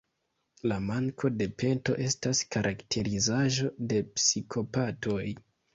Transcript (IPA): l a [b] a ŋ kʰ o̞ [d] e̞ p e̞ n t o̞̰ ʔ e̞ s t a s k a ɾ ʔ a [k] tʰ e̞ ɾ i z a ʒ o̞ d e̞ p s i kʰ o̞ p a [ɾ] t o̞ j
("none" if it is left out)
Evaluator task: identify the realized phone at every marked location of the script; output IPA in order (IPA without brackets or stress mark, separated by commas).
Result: m, d, k, none